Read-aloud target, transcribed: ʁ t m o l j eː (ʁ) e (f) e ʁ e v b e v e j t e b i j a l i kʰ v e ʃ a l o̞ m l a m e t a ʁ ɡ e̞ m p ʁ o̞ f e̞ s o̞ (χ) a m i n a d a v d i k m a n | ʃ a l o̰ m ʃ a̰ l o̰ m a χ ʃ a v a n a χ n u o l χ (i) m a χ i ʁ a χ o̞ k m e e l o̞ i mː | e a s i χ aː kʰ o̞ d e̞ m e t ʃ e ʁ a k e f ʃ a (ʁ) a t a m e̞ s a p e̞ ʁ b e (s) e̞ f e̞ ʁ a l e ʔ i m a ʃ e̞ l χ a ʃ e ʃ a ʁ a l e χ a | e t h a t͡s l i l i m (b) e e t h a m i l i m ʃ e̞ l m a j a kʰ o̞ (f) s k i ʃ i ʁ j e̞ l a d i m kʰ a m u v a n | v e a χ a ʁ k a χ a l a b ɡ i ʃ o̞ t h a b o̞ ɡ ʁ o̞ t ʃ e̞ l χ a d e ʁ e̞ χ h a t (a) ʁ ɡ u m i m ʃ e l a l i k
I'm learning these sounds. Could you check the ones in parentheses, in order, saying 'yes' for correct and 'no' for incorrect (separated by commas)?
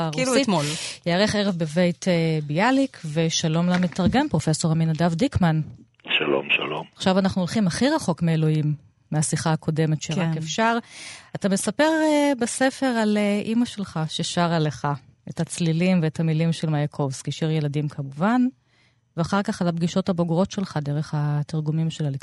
yes, no, no, yes, yes, yes, no, no, no